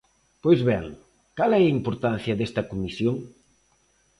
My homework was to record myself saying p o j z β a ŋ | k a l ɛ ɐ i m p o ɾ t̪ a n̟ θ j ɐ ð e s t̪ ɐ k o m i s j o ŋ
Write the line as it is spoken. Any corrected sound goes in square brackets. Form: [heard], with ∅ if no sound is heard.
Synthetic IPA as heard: p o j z β [ɛ] ŋ | k a l ɛ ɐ i m p o ɾ t̪ a n̟ θ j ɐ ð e s t̪ ɐ k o m i s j o ŋ

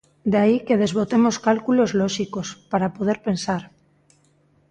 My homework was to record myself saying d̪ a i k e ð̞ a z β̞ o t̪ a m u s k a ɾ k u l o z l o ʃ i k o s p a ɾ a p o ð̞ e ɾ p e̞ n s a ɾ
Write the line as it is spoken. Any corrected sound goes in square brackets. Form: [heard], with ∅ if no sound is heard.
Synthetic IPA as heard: d̪ a i k e ð̞ [e] z β̞ o t̪ [e] m [o] s k a [l] k u l o z l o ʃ i k o s p a ɾ a p o ð̞ e ɾ p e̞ n s a ɾ

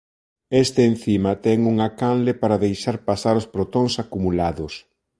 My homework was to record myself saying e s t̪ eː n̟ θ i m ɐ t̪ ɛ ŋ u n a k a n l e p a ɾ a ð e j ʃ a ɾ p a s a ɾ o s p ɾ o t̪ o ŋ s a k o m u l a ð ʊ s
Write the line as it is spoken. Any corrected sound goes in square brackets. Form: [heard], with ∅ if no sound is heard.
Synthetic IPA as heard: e s t̪ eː n̟ θ i m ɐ t̪ ɛ ŋ u [ŋ] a k a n l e p a ɾ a ð e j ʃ a ɾ p a s a ɾ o s p ɾ o t̪ o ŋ s a k [u] m u l a ð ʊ s

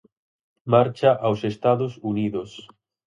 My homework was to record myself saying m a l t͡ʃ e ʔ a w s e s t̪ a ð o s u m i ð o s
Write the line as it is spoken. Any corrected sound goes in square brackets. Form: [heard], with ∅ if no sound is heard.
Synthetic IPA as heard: m a [ɾ] t͡ʃ [a] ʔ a w s e s t̪ a ð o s u [n] i ð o s

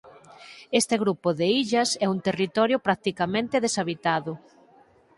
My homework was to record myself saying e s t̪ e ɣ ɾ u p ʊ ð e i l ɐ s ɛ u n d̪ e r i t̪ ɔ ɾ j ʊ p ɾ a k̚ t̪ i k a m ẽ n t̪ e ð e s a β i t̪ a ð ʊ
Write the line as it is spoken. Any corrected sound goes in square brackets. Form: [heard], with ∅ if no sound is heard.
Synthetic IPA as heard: e s t̪ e ɣ ɾ u p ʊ ð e i [ʎ] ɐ s ɛ u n [t̪] e r i t̪ ɔ ɾ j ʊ p ɾ a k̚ t̪ i k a m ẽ n t̪ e ð e s a β i t̪ a ð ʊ

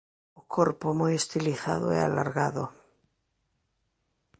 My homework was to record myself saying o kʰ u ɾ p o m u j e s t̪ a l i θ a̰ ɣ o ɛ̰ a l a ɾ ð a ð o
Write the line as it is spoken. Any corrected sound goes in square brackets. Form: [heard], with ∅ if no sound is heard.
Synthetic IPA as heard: o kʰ [o] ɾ p o m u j e s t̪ [i] l i θ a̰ [ð] o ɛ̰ a l a ɾ [ɣ] a ð o

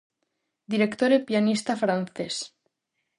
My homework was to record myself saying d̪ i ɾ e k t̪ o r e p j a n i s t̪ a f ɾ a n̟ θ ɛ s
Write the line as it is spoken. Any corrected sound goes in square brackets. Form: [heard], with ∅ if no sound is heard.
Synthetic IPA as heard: d̪ i ɾ e k t̪ o [ɾ] e p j a n i s t̪ a f ɾ a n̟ θ [e] s

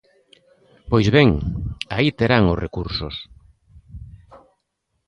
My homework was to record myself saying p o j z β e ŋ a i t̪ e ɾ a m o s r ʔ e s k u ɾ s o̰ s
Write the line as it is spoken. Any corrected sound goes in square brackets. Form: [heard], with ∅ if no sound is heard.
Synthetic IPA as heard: p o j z β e ŋ a i t̪ e ɾ a [ŋ] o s r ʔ e [∅] k u ɾ s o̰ s

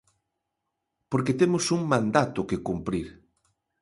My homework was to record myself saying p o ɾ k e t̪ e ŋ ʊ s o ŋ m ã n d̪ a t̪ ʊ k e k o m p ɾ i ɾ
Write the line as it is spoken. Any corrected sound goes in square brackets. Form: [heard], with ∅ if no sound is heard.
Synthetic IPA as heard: p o ɾ k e t̪ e [m] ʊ s [u] ŋ m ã n d̪ a t̪ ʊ k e k [u] m p ɾ i ɾ

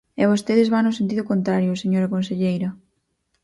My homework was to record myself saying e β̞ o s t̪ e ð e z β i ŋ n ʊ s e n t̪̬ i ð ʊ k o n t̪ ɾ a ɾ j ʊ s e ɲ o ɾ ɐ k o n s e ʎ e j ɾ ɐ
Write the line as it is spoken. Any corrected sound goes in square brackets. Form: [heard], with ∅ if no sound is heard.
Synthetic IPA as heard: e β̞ o s t̪ e ð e z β [a] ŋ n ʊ s e n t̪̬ i ð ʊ k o n t̪ ɾ a ɾ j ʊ s e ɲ o ɾ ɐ k o n s e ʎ e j ɾ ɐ

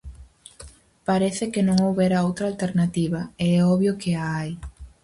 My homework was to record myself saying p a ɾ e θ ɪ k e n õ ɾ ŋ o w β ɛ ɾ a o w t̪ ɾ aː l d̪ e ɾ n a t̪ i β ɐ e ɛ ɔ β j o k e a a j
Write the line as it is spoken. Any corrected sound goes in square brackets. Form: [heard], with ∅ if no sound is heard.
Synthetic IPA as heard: p a ɾ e θ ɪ k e n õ [∅] ŋ o w β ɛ ɾ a o w t̪ ɾ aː l [t̪] e ɾ n a t̪ i β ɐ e ɛ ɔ β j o k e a a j

